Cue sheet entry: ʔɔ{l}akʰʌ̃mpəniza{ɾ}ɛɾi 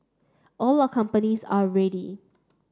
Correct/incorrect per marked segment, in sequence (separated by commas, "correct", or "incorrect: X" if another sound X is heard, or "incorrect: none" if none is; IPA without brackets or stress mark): correct, incorrect: ɹ